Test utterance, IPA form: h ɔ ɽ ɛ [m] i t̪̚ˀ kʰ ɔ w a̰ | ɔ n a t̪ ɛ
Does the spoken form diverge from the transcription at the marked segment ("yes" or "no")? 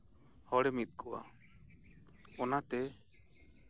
no